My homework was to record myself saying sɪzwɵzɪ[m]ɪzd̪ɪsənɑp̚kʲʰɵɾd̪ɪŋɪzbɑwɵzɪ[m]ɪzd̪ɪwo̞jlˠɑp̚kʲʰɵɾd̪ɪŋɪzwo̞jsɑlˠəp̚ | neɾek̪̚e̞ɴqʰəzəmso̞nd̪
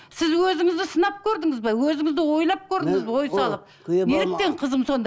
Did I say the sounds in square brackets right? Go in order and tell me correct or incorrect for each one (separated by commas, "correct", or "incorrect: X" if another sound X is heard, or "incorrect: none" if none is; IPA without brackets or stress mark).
incorrect: ŋ, incorrect: ŋ